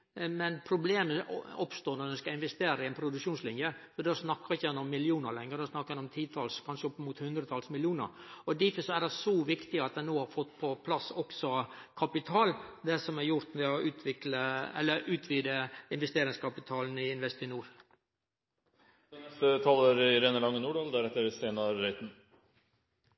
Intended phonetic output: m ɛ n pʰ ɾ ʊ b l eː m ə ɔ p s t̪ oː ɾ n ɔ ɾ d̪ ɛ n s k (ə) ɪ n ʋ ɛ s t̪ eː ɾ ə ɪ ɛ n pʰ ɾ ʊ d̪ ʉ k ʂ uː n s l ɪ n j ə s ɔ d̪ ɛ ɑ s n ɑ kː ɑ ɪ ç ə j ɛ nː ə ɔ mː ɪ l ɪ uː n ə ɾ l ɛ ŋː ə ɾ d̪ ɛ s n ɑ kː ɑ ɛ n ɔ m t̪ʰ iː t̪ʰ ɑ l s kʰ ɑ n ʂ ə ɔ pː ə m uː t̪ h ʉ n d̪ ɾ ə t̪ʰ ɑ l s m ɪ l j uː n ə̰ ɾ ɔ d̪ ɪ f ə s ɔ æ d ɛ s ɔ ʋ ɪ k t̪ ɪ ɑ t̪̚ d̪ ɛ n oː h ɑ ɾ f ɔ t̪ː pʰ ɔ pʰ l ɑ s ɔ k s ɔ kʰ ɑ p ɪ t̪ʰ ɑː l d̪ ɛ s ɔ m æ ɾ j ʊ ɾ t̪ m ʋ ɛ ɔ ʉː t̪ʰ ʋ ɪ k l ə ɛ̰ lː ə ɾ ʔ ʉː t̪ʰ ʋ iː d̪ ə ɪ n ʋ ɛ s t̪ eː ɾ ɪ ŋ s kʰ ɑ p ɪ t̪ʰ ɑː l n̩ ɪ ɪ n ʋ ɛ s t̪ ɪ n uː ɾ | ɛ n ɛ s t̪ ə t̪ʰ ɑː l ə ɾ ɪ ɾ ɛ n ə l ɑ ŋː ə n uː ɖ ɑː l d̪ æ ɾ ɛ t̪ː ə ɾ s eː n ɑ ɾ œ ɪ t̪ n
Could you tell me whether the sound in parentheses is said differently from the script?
yes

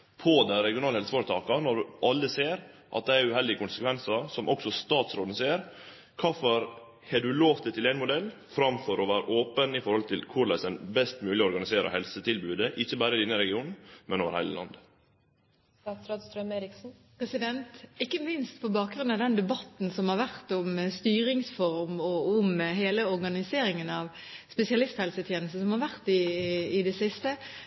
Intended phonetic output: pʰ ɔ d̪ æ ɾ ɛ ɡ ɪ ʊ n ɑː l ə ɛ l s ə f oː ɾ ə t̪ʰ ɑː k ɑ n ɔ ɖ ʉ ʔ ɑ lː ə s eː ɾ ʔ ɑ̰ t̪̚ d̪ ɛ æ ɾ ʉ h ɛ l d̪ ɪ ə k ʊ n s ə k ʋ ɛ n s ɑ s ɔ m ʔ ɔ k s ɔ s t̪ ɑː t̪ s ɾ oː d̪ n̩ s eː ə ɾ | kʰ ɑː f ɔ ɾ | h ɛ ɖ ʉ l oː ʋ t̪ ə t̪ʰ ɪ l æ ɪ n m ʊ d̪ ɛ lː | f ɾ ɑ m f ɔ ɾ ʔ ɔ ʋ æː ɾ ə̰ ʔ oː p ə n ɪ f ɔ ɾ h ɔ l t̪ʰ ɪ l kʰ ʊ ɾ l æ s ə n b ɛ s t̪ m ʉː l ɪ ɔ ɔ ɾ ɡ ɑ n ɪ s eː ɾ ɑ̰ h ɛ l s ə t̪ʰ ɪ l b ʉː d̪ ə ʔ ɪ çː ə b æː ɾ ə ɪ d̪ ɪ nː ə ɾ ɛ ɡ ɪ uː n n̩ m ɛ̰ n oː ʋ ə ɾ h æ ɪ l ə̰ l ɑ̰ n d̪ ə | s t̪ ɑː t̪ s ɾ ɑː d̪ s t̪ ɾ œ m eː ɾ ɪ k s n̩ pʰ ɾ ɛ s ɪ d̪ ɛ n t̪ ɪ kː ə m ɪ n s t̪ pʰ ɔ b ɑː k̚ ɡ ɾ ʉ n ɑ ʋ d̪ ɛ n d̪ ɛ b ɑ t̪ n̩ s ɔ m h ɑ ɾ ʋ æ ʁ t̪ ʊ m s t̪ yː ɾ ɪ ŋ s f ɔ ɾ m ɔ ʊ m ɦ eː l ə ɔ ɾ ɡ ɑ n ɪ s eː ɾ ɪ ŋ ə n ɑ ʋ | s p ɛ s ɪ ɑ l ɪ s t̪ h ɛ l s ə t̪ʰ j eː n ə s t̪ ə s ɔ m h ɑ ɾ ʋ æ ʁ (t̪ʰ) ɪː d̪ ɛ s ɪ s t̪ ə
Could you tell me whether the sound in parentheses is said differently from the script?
yes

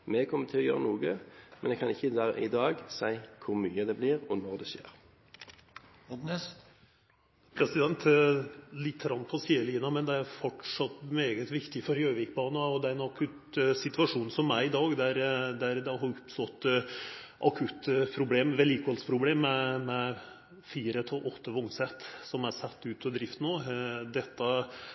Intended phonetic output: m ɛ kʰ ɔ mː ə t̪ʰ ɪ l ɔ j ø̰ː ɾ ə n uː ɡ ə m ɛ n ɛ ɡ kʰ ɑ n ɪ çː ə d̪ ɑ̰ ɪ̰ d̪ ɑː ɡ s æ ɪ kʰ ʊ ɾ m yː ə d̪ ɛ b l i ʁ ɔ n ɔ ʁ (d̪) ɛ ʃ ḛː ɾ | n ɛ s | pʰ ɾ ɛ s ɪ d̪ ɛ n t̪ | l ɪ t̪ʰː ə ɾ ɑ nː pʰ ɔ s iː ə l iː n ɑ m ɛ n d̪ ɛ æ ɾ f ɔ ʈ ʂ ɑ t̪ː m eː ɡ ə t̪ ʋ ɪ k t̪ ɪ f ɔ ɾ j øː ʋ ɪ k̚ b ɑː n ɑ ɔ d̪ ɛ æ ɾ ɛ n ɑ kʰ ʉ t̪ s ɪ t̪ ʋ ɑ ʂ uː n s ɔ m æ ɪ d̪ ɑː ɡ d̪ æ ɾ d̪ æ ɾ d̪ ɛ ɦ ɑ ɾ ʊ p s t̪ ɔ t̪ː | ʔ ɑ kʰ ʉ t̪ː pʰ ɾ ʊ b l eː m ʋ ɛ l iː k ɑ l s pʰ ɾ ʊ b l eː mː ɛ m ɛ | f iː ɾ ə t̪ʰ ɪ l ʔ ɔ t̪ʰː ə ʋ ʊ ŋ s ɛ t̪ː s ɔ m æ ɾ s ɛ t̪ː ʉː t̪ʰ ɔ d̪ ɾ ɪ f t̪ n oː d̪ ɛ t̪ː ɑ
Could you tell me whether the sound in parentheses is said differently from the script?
no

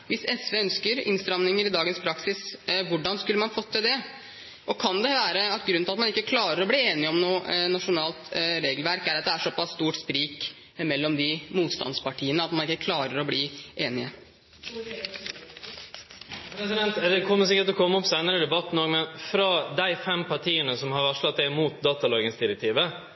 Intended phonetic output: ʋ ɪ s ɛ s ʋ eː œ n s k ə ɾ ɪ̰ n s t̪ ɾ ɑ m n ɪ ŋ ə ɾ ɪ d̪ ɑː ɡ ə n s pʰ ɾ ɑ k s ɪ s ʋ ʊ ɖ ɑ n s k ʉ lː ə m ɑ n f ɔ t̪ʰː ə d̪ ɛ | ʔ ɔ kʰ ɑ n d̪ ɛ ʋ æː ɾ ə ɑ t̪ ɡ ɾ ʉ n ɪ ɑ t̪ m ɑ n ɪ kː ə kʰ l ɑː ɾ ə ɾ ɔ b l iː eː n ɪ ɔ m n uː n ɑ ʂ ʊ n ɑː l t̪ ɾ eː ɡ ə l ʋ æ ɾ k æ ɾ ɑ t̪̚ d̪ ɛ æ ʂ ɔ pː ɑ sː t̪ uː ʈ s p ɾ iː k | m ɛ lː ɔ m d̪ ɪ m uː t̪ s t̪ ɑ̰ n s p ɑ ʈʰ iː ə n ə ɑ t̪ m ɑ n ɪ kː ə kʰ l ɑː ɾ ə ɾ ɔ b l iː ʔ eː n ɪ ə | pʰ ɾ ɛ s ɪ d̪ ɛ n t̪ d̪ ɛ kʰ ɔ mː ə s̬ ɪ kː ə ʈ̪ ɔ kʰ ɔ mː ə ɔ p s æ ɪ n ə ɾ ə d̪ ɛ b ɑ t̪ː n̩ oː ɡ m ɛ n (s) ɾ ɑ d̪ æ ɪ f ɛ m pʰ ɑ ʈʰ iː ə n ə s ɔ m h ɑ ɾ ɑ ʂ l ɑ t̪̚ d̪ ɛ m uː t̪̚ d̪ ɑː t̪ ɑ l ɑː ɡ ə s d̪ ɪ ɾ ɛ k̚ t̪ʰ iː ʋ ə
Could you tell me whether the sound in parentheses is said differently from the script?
yes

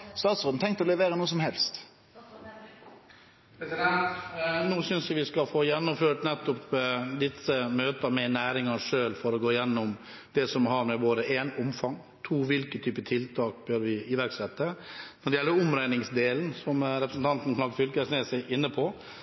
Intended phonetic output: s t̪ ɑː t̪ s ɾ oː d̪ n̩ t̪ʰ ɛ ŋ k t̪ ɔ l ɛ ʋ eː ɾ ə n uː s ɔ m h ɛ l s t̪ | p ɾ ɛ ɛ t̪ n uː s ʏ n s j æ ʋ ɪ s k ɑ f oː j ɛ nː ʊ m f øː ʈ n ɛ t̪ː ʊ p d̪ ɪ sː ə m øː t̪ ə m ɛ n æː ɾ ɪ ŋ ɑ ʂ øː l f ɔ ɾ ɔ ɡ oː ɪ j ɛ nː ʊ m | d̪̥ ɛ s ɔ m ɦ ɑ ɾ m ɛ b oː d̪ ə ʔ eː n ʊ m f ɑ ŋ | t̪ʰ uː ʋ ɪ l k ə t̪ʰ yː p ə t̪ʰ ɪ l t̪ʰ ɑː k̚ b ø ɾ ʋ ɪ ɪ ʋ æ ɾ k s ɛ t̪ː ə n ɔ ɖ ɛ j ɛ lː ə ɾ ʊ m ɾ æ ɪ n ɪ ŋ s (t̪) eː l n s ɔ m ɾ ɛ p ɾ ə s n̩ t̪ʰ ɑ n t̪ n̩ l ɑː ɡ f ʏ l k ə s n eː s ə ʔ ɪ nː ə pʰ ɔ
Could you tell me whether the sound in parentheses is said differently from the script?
yes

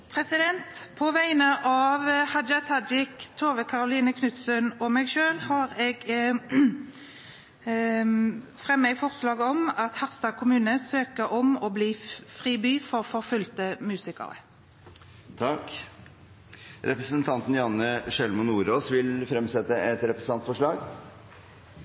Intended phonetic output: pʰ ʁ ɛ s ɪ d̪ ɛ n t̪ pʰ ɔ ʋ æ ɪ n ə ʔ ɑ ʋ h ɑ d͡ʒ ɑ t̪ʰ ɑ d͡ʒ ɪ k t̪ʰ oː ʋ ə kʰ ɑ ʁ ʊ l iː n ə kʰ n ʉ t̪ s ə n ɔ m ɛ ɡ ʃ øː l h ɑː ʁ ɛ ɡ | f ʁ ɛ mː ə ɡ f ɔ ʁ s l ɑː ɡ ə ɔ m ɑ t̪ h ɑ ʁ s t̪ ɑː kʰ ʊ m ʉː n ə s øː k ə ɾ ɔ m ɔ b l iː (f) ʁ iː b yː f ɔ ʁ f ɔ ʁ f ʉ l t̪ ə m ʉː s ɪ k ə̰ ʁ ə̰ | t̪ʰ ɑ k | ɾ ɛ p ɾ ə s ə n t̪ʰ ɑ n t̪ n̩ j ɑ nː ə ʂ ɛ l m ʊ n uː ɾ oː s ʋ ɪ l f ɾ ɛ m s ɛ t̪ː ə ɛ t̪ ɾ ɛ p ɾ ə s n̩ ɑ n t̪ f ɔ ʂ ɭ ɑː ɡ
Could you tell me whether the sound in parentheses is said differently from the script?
no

